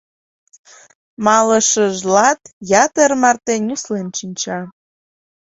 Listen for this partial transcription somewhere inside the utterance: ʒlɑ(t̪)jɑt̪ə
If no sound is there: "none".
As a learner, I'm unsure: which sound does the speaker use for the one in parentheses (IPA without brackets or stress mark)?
t̪